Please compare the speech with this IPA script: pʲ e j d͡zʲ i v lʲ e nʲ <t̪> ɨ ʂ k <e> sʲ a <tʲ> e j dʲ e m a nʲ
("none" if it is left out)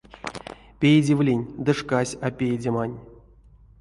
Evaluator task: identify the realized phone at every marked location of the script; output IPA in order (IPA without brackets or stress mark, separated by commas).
d̪, a, pʲ